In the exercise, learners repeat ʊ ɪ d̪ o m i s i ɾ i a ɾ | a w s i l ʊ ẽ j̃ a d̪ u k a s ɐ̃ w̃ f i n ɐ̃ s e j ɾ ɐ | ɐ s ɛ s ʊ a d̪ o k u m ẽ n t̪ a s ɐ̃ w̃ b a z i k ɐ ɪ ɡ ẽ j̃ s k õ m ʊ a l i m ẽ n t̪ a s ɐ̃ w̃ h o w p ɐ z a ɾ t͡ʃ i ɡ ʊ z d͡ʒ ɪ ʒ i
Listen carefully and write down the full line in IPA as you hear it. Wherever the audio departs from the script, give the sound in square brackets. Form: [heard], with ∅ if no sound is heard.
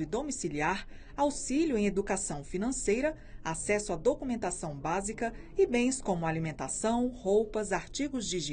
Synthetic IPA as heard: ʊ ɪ d̪ o m i s i [l] i a ɾ | a w s i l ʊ ẽ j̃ [e] d̪ u k a s ɐ̃ w̃ f i n ɐ̃ s e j ɾ ɐ | [a] s ɛ s ʊ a d̪ o k u m ẽ n t̪ a s ɐ̃ w̃ b a z i k ɐ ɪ [b] ẽ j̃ s k õ m ʊ a l i m ẽ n t̪ a s ɐ̃ w̃ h o w p ɐ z a ɾ t͡ʃ i ɡ ʊ z d͡ʒ [i] ʒ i